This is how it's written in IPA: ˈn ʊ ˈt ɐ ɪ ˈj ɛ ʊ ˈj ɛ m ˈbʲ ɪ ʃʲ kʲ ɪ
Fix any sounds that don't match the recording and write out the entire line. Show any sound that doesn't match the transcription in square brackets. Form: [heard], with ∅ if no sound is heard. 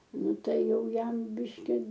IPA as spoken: ˈn ʊ ˈt ɐ ɪ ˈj ɛ ʊ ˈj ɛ m ˈbʲ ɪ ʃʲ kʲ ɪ